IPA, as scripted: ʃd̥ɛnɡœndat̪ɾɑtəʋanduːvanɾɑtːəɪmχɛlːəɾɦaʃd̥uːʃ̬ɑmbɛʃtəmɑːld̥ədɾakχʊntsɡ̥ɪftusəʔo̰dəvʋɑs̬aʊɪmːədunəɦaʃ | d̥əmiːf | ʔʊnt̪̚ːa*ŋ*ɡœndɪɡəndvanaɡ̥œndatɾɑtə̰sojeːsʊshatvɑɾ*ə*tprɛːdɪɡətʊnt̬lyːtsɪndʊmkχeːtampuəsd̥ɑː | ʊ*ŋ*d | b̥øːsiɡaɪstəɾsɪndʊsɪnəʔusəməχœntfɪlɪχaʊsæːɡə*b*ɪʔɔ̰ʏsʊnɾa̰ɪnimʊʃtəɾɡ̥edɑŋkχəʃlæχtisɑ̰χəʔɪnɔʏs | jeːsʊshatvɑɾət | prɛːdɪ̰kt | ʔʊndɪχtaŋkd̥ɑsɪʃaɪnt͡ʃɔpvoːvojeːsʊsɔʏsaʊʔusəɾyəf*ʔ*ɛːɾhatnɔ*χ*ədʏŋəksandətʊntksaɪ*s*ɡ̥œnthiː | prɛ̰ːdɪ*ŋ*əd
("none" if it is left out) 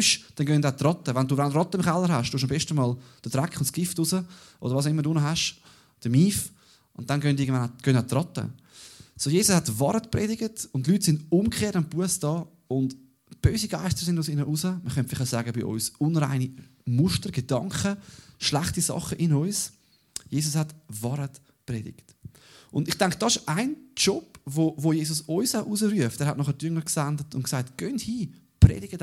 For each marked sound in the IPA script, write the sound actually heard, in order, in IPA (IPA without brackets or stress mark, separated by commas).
n, ə, n, b, t, χ, t, ɡ